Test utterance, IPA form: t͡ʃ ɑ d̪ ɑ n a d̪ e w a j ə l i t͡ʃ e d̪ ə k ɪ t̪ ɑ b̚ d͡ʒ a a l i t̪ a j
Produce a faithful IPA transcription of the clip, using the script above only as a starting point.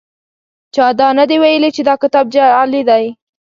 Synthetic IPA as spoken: t͡ʃ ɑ d̪ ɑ n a d̪ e w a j ə l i t͡ʃ e d̪ ɑ k ɪ t̪ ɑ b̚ d͡ʒ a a l i d̪ a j

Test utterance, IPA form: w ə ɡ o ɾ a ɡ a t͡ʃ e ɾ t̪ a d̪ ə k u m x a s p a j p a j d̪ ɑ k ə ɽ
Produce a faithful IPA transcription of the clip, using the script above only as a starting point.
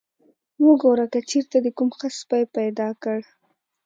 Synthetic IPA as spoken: w ə ɡ o ɾ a k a t͡ʃ e ɾ t̪ a d̪ ə k u m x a s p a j p a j d̪ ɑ k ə ɽ

